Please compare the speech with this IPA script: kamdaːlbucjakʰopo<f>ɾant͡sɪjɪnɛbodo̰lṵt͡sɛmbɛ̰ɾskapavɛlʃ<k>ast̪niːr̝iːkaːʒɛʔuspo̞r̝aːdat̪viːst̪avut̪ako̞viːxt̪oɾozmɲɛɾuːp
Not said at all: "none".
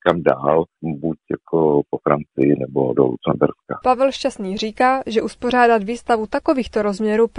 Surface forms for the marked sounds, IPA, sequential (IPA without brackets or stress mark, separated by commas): f, c